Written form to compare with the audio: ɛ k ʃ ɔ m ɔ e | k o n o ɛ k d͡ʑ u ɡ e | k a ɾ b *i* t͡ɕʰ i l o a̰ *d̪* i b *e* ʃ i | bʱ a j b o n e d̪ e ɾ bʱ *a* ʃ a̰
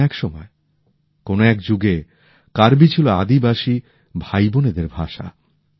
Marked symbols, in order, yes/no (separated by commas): yes, yes, no, yes